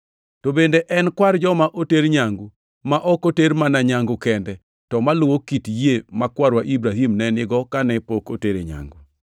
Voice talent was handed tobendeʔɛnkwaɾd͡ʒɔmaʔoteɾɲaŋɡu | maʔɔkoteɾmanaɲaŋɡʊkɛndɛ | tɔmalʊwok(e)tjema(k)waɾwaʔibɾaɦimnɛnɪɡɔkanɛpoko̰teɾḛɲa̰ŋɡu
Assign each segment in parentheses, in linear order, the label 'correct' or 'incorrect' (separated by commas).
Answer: incorrect, correct